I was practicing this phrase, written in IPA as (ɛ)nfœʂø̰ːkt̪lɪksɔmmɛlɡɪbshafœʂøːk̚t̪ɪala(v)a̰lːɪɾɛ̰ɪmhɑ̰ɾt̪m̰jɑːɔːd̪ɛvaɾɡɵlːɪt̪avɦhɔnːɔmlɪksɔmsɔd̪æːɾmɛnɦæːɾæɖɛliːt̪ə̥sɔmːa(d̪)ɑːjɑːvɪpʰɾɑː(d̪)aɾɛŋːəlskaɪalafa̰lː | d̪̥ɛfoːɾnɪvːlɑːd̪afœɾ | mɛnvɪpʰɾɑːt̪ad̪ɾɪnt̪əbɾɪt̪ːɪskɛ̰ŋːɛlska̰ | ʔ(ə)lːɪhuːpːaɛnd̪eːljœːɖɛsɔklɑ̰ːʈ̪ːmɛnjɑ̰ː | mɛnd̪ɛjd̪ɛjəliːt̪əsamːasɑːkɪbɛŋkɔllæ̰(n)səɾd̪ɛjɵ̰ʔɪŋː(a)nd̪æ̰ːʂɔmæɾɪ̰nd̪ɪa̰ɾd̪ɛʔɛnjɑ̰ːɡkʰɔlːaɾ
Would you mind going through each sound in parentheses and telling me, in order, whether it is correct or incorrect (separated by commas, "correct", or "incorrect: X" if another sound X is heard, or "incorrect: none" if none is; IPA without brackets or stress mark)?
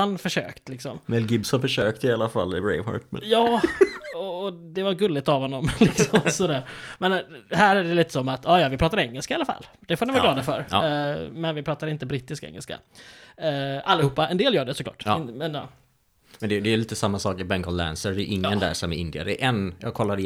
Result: incorrect: a, incorrect: f, incorrect: t̪, incorrect: t̪, incorrect: a, correct, incorrect: ə